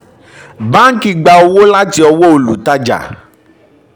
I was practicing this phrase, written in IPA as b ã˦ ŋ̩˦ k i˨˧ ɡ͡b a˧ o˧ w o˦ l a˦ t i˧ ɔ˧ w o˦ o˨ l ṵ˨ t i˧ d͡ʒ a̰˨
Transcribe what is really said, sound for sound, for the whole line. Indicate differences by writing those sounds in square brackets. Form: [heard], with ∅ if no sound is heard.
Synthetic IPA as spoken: b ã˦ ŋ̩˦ k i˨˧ ɡ͡b a˧ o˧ w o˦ l a˦ t i˧ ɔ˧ w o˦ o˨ l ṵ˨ t [a˧] d͡ʒ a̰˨